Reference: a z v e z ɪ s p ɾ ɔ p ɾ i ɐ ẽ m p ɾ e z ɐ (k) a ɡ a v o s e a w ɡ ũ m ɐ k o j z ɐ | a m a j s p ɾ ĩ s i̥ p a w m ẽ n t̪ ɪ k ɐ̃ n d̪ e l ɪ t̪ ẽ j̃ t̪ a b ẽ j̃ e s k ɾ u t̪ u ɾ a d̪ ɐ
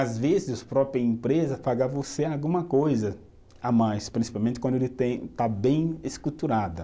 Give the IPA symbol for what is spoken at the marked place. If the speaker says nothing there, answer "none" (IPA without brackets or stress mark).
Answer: p